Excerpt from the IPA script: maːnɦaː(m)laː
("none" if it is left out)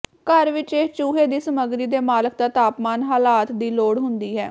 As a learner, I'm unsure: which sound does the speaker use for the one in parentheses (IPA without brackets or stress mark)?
none